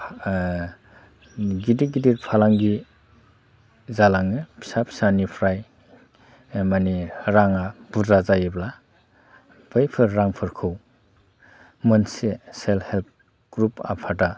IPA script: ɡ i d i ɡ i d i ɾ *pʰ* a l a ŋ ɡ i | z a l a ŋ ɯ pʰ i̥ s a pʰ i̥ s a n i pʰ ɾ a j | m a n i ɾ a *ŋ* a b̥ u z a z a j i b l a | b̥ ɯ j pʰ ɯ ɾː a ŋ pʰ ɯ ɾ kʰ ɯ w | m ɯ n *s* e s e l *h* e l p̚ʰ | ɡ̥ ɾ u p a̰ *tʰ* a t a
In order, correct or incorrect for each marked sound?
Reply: correct, correct, correct, correct, incorrect

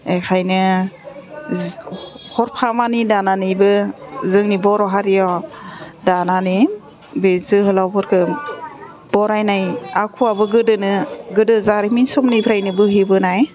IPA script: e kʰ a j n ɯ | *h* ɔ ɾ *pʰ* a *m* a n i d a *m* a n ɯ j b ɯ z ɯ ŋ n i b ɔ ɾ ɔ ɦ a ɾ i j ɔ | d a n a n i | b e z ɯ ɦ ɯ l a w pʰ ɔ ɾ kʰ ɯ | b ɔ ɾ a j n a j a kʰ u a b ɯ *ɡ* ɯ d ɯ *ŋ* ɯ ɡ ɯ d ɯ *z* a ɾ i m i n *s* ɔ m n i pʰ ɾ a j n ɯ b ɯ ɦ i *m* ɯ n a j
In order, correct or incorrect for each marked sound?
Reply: correct, correct, correct, incorrect, correct, incorrect, correct, correct, incorrect

